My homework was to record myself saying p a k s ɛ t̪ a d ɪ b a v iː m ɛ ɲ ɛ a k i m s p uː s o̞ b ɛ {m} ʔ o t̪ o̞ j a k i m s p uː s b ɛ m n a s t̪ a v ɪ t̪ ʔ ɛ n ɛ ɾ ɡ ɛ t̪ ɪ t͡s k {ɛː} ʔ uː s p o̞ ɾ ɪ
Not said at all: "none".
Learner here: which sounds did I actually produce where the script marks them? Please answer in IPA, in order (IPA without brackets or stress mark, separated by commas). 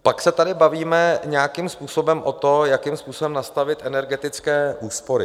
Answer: m, ɛː